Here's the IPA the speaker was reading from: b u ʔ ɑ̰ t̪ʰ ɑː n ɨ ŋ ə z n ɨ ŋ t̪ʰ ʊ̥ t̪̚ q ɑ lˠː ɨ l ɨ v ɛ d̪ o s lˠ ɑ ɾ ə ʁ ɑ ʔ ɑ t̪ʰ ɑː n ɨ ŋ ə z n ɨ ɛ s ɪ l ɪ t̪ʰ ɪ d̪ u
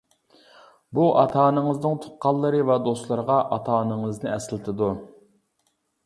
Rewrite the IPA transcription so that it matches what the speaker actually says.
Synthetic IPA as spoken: b u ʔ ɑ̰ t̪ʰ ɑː n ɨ ŋ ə z n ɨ ŋ t̪ʰ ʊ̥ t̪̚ q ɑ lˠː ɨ ɾ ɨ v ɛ d̪ o s lˠ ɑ ɾ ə ʁ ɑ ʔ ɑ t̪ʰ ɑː n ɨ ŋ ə z n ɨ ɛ s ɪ l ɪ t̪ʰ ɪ d̪ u